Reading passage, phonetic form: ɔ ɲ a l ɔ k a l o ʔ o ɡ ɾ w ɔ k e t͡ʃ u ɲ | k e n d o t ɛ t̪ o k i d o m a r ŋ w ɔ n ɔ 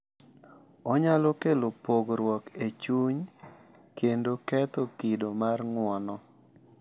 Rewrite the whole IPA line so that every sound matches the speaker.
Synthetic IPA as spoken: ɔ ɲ a l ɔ k e l o p o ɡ ɾ w ɔ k e t͡ʃ u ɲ | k e n d o k ɛ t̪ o k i d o m a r ŋ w ɔ n ɔ